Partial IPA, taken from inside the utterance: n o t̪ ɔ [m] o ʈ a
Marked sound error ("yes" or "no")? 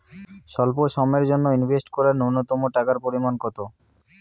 no